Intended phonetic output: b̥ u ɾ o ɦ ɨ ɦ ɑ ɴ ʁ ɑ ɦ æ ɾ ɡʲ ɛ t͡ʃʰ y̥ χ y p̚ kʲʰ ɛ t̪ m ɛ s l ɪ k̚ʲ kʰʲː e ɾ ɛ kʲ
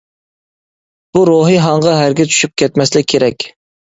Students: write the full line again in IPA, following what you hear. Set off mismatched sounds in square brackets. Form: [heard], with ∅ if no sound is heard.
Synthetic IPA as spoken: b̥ u ɾ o ɦ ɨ ɦ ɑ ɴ ʁ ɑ ɦ æ ɾ ɡʲ ɛ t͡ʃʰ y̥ [ʃ] y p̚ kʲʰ ɛ t̪ m ɛ s l ɪ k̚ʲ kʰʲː e ɾ ɛ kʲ